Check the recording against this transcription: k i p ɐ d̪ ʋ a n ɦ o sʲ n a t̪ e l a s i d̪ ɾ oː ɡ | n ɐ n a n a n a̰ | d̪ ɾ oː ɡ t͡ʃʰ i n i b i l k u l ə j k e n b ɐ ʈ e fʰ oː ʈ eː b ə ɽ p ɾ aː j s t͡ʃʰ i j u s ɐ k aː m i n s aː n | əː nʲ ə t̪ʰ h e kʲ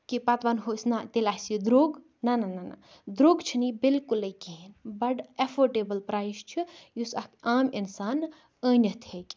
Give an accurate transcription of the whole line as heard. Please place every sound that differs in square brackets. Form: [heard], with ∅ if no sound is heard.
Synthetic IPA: k i p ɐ [t̪] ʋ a n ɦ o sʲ n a t̪ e l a s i d̪ ɾ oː ɡ | n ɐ n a n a n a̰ | d̪ ɾ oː ɡ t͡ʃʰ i n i b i l k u l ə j k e n b ɐ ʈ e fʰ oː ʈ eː b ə [l] p ɾ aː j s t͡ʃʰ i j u s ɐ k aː m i n s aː n | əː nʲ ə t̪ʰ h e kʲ